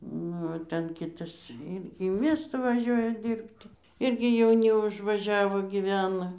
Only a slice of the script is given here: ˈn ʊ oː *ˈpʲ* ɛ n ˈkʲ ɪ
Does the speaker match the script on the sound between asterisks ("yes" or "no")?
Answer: no